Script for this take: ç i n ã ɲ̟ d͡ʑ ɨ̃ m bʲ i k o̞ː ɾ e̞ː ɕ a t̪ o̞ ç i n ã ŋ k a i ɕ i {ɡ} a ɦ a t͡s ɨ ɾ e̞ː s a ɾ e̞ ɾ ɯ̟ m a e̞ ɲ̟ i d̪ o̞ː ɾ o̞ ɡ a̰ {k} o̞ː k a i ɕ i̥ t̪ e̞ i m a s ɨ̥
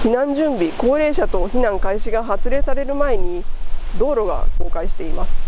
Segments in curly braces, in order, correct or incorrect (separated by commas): correct, correct